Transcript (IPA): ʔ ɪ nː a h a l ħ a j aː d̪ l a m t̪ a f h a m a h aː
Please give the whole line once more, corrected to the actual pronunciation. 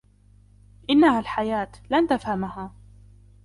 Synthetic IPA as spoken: ʔ ɪ nː a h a l ħ a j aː t̪ l a n t̪ a f h a m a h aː